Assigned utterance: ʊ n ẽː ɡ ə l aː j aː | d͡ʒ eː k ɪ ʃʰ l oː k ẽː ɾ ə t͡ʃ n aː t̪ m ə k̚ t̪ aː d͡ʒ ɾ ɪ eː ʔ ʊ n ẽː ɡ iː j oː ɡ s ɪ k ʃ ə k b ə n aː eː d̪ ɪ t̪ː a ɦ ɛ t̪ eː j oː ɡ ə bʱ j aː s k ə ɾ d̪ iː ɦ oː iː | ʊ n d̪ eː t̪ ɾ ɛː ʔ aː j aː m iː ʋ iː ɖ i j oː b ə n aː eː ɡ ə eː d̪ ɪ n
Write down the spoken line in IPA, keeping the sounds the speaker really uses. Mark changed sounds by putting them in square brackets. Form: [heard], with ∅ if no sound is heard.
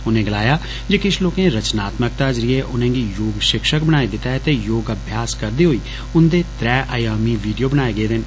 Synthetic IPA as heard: ʊ n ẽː ɡ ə l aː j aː | d͡ʒ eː k ɪ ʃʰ l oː k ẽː ɾ ə t͡ʃ n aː t̪ m ə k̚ t̪ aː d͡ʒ ɾ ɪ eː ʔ ʊ n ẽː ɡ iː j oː ɡ [ʃ] ɪ k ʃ ə k b ə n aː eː d̪ ɪ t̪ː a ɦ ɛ t̪ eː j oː ɡ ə bʱ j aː s k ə ɾ d̪ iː ɦ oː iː | ʊ n d̪ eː t̪ ɾ ɛː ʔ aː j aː m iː ʋ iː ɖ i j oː b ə n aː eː ɡ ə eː d̪ ɪ n

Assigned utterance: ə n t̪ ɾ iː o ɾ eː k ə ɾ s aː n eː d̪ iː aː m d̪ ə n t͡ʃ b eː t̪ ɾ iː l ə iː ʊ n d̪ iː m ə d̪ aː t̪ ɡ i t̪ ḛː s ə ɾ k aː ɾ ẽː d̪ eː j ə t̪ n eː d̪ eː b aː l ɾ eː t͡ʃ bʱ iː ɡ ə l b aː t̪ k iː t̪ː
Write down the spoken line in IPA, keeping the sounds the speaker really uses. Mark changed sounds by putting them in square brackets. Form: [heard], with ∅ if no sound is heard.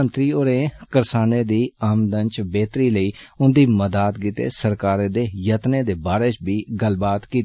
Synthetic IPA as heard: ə n t̪ ɾ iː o ɾ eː k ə ɾ s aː n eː d̪ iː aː m d̪ ə n t͡ʃ b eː t̪ ɾ iː l ə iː ʊ n d̪ iː m ə d̪ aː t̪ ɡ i t̪ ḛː s ə ɾ k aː ɾ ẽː d̪ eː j ə t̪ n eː d̪ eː b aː [∅] ɾ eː t͡ʃ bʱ iː ɡ ə l b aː t̪ k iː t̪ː

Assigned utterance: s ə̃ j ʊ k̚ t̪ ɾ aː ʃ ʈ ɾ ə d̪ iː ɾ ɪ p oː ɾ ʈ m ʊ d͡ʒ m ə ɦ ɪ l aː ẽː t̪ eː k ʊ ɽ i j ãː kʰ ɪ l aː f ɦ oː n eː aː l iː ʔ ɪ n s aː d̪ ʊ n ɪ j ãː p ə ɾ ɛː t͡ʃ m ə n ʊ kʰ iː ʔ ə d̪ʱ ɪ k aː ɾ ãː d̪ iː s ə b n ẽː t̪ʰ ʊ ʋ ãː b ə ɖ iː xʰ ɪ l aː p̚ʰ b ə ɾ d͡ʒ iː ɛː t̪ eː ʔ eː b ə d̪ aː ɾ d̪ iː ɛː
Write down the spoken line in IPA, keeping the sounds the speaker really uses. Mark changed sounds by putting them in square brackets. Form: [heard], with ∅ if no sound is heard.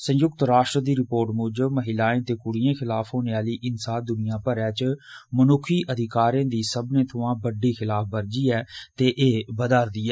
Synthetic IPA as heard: s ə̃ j ʊ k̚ t̪ ɾ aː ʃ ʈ ɾ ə d̪ iː ɾ ɪ p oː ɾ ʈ m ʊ d͡ʒ m ə ɦ ɪ l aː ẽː t̪ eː k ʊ ɽ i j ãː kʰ ɪ l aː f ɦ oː n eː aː l iː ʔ ɪ n s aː d̪ ʊ n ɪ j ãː p ə ɾ ɛː t͡ʃ m ə n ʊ kʰ iː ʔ ə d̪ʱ ɪ k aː ɾ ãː d̪ iː s ə b n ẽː t̪ʰ ʊ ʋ ãː b ə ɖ iː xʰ ɪ l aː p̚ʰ b ə ɾ d͡ʒ iː ɛː t̪ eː ʔ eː b ə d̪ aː ɾ d̪ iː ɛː

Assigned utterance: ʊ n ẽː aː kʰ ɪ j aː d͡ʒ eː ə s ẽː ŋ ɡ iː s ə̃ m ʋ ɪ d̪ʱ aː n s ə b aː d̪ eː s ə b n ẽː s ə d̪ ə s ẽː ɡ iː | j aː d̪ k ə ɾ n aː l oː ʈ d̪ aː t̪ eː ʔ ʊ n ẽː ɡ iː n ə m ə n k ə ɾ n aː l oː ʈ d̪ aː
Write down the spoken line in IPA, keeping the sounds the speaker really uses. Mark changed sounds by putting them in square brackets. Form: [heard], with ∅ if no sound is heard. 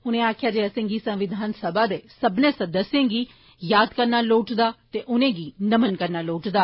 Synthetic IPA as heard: ʊ n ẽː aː kʰ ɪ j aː d͡ʒ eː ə s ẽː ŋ ɡ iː s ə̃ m ʋ ɪ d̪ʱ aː n s ə b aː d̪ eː s ə b n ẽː s ə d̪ ə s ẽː ɡ iː | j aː d̪ k ə ɾ n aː l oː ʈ d̪ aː t̪ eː ʔ ʊ n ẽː ɡ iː n ə m ə n k ə ɾ n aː l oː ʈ d̪ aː

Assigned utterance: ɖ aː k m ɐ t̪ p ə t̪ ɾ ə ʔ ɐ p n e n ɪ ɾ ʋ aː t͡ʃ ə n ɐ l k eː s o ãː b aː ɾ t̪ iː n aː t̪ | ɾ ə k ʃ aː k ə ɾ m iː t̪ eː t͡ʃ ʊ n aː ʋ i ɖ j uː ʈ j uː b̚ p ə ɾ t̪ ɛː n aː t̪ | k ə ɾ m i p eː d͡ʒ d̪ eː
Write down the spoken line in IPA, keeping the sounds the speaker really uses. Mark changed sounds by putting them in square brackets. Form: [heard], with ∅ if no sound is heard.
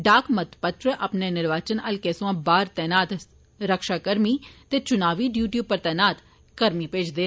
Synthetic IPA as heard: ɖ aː k m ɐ t̪ p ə t̪ ɾ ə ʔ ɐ p n e n ɪ ɾ ʋ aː t͡ʃ ə n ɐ l k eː s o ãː b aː ɾ t̪ [ɛː] n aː t̪ | ɾ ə k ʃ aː k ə ɾ m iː t̪ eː t͡ʃ ʊ n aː ʋ i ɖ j uː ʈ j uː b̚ p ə ɾ t̪ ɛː n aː t̪ | k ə ɾ m i p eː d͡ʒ d̪ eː

